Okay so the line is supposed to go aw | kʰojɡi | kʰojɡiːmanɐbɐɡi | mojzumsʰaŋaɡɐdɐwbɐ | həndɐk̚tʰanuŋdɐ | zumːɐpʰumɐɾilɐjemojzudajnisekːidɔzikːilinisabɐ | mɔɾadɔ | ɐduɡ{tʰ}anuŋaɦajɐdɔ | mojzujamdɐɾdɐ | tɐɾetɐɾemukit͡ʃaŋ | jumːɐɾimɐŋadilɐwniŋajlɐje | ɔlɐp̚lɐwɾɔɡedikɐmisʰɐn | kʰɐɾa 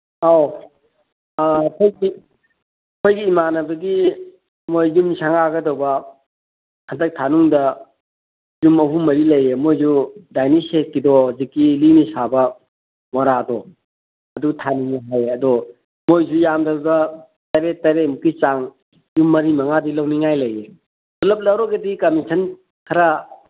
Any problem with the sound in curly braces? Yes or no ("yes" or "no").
no